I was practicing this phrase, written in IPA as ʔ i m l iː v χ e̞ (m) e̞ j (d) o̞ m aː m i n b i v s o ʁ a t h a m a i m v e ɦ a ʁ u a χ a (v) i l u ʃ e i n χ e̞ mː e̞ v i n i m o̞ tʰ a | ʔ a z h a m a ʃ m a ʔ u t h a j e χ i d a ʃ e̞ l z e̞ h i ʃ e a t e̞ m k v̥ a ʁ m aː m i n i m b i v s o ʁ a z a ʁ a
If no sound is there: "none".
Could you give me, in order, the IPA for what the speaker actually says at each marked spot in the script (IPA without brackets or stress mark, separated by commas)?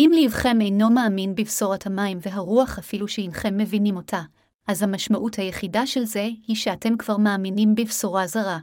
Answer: m, n, f